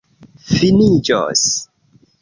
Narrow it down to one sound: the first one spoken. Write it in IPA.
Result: f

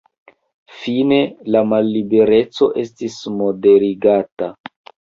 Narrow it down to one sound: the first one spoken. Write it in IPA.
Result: f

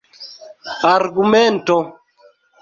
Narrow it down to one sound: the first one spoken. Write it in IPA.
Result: a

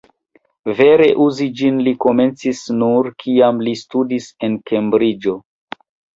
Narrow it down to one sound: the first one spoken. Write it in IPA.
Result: v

